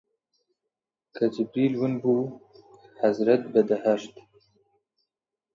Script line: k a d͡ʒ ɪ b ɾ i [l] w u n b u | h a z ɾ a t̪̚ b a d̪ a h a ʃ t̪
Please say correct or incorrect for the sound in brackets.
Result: correct